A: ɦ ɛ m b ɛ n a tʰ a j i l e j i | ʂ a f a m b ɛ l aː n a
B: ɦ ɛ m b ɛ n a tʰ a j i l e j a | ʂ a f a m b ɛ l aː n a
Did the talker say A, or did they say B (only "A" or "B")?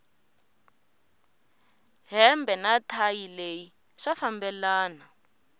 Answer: A